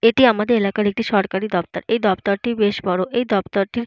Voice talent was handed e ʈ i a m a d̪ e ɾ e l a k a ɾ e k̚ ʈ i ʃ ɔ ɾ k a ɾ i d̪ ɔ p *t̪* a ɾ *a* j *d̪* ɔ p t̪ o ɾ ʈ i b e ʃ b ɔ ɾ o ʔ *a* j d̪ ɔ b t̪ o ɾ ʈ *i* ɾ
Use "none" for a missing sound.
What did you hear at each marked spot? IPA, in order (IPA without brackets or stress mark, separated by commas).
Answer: t̪, e, d̪, e, i